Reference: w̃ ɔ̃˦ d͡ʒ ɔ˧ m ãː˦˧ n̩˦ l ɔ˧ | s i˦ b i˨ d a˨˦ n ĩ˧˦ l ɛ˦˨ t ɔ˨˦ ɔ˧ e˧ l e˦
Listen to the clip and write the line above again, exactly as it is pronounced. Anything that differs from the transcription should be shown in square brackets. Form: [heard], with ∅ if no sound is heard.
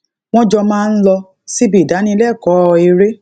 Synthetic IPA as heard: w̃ ɔ̃˦ d͡ʒ ɔ˧ m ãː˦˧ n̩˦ l ɔ˧ | s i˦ b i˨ d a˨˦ n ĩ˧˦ l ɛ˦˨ [k] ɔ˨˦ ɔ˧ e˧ [ɾ] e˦